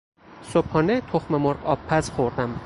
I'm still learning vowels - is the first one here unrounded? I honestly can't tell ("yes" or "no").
no